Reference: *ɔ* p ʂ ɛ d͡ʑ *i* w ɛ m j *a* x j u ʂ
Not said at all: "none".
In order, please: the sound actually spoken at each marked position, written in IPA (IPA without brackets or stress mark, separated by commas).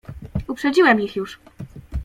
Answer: u, i, i